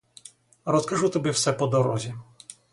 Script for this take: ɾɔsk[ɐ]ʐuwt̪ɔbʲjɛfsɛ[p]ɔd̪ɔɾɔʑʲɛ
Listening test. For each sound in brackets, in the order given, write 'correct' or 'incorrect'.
incorrect: a, correct

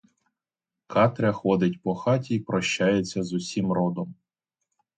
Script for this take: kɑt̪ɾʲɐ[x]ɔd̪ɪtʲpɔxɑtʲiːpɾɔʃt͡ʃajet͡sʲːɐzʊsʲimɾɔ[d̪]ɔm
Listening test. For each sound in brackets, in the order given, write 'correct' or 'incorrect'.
correct, correct

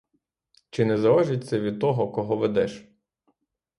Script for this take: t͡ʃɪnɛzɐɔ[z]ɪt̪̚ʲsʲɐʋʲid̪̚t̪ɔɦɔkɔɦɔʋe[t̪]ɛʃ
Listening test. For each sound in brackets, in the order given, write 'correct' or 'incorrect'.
incorrect: ʒ, incorrect: d̪

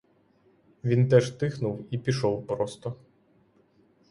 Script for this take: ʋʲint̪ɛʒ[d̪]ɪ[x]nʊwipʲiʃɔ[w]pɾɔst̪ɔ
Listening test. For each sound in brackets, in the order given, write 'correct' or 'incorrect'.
incorrect: t̪, correct, correct

